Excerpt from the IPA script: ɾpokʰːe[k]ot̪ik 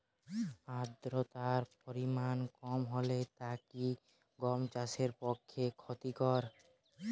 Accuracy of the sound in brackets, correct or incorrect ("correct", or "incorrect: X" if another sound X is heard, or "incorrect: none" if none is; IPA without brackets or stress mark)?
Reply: incorrect: kʰ